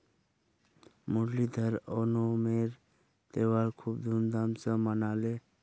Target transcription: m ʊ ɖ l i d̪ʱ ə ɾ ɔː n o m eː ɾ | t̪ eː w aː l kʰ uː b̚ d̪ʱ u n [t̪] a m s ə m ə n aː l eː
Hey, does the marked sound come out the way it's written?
no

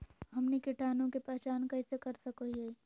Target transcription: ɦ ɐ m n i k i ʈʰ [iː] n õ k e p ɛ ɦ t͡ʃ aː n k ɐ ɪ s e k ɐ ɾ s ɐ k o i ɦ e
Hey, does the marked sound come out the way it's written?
no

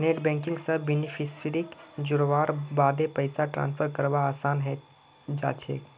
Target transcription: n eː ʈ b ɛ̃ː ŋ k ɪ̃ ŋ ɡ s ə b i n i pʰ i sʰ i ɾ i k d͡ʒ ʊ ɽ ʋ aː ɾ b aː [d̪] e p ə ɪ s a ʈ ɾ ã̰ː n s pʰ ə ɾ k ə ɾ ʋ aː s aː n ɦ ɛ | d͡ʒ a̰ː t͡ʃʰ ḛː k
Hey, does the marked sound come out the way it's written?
yes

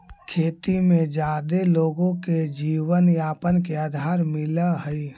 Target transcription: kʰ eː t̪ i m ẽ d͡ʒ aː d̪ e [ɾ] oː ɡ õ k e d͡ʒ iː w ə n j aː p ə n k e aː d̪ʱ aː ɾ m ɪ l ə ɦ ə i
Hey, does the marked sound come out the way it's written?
no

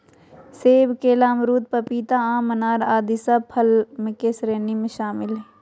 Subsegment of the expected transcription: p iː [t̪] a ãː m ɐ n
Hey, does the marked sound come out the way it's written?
yes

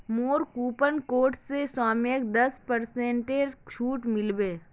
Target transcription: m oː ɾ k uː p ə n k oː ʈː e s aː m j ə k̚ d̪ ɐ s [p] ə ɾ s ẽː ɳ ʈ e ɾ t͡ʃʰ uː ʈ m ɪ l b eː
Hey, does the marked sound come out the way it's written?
yes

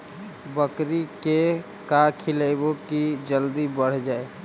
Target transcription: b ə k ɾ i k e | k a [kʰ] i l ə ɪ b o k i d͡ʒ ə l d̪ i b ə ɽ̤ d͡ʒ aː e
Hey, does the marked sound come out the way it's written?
yes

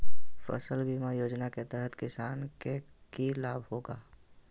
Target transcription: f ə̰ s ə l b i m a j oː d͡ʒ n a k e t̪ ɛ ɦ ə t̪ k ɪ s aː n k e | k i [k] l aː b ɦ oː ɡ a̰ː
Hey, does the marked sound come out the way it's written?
no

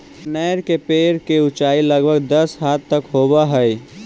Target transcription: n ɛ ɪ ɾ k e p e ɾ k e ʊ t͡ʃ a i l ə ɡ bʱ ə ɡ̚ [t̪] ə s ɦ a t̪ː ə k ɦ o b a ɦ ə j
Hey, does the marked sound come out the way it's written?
no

